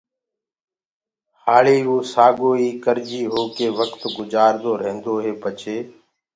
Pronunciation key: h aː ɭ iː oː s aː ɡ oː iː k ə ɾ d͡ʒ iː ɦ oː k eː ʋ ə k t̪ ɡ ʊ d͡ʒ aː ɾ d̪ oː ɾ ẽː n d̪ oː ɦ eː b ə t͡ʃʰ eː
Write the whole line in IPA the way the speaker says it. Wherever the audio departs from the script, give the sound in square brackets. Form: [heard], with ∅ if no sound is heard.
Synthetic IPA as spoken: h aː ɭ iː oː s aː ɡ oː iː k ə ɾ d͡ʒ iː ɦ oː k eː ʋ ə k t̪ ɡ ʊ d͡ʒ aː ɾ d̪ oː ɾ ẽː n d̪ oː ɦ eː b ə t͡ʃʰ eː